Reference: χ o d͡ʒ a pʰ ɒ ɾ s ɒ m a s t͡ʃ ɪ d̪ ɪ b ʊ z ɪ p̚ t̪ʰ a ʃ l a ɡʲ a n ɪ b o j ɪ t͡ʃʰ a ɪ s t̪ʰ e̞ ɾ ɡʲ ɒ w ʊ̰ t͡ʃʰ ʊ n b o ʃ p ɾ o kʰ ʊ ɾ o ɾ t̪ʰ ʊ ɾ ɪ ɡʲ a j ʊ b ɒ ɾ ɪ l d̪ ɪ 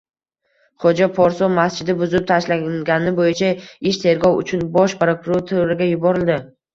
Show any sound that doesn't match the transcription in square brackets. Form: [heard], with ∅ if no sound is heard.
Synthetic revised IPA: χ o d͡ʒ a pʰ ɒ ɾ s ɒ m a s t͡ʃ ɪ d̪ ɪ b ʊ z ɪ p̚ t̪ʰ a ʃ l a ɡʲ a n ɪ b o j ɪ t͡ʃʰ a ɪ [ʃ] t̪ʰ e̞ ɾ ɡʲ ɒ w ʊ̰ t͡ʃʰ ʊ n b [ɒ] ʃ p ɾ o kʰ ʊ ɾ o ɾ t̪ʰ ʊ ɾ ɪ ɡʲ a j ʊ b ɒ ɾ ɪ l d̪ ɪ